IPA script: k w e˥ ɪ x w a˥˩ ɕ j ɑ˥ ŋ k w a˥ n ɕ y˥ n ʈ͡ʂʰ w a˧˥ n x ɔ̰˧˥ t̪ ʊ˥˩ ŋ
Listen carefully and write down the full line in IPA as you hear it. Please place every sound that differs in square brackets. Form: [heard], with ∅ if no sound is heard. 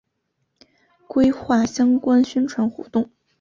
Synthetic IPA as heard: k w e˥ ɪ x w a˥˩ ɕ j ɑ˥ ŋ k w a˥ n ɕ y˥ n ʈ͡ʂʰ w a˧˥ n x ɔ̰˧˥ t̪ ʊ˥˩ ŋ